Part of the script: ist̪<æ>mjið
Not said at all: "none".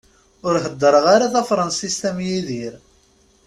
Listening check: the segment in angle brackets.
æ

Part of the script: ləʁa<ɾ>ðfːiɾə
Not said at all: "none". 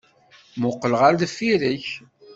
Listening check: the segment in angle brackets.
ɾ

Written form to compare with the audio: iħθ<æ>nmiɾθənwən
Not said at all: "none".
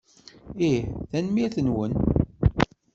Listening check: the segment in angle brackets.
æ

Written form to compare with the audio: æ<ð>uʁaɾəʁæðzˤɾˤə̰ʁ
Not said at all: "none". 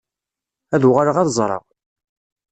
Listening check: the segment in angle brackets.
ð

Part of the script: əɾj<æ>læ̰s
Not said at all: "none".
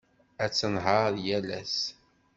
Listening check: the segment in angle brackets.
æ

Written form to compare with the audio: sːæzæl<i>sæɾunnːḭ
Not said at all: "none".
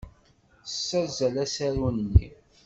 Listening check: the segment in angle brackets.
æ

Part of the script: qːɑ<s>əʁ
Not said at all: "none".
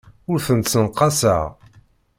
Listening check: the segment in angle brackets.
s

